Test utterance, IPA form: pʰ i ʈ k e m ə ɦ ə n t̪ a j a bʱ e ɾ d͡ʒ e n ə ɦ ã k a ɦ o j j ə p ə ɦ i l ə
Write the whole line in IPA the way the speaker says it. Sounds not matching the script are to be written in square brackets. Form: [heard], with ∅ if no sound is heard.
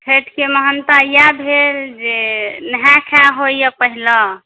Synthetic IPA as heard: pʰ [e] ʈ k e m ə ɦ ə n t̪ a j a bʱ e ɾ d͡ʒ e n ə ɦ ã [kʰ] a ɦ o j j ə p ə ɦ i l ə

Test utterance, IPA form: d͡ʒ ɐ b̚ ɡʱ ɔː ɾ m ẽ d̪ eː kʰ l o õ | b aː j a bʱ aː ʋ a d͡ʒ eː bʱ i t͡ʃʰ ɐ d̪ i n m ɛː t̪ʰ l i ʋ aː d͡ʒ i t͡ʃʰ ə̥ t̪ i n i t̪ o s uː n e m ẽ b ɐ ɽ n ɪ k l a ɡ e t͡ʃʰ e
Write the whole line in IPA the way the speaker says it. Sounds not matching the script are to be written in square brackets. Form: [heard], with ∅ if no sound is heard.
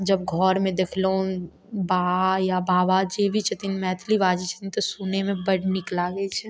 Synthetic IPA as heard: d͡ʒ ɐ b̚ ɡʱ ɔː ɾ m ẽ d̪ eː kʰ l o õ | b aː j a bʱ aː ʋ a d͡ʒ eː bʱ i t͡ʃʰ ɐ [t̪] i n m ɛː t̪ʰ l i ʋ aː d͡ʒ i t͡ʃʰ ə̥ t̪ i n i t̪ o s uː n e m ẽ b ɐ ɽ n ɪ k l a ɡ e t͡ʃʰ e

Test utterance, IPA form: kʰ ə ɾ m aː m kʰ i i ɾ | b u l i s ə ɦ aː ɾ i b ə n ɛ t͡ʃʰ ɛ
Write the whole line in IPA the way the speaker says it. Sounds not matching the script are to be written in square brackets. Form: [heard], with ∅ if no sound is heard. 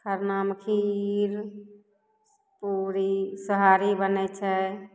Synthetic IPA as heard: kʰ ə ɾ [n] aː m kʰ i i ɾ | [p] u [ɾ] i s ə ɦ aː ɾ i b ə n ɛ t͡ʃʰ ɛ

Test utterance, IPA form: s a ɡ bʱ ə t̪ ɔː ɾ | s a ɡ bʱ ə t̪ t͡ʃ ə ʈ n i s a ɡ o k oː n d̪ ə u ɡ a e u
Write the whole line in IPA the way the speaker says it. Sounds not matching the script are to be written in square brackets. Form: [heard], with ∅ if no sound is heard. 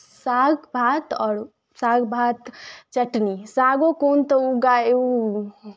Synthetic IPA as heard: s a ɡ bʱ [a] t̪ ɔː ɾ | s a ɡ bʱ [a] t̪ t͡ʃ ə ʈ n i s a ɡ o k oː n [t̪] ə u ɡ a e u

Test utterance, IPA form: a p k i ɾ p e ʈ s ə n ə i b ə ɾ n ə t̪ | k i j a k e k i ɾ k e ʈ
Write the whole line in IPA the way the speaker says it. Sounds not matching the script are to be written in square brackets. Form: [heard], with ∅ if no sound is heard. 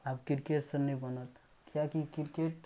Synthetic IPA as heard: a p k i ɾ [k] e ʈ s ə n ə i b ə [∅] n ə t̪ | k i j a k [i] k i ɾ k e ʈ

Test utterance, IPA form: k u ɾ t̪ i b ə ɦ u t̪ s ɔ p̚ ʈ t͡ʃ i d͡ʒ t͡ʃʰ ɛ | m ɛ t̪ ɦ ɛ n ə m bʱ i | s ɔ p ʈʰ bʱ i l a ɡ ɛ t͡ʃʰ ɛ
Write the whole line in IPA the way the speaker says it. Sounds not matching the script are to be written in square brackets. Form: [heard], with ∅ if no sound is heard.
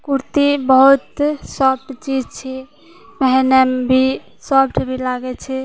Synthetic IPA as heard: k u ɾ t̪ i b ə ɦ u t̪ s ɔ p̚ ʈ t͡ʃ i d͡ʒ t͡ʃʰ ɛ | m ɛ [∅] ɦ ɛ n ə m bʱ i | s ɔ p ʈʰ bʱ i l a ɡ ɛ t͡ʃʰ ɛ

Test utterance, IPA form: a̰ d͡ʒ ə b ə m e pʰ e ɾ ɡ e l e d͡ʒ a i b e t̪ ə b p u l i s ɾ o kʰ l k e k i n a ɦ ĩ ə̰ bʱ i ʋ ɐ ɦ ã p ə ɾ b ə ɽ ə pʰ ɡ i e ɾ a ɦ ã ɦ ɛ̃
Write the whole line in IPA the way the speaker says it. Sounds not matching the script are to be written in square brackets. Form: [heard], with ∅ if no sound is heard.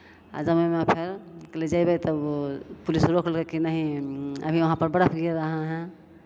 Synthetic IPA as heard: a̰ d͡ʒ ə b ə m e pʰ e ɾ [k] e l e d͡ʒ a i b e t̪ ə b p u l i s ɾ o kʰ l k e k i n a ɦ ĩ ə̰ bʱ i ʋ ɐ ɦ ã p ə ɾ b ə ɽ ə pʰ ɡ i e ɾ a ɦ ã ɦ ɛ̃

